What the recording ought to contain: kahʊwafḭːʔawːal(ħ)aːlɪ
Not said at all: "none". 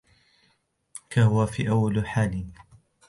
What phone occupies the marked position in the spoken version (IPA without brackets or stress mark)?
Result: ħ